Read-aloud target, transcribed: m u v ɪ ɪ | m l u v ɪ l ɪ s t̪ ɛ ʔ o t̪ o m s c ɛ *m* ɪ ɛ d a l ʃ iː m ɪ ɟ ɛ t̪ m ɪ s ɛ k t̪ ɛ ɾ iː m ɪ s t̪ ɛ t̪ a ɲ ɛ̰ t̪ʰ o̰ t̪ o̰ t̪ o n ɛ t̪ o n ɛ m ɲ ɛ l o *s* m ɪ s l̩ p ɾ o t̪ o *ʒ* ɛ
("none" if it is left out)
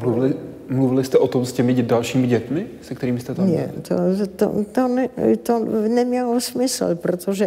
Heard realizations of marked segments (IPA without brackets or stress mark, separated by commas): m, s, ʒ